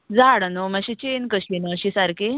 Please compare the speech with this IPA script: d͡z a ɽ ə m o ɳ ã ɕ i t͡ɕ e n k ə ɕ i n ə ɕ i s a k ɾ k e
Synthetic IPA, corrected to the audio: d͡z a ɽ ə n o m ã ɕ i t͡ɕ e n k ə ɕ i n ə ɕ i s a ɾ k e